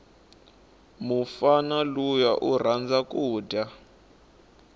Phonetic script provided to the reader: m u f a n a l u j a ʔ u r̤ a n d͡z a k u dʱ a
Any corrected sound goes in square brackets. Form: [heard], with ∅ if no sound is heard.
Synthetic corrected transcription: m u f a n a l u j a ʔ u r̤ a n d͡z a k [uː] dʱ a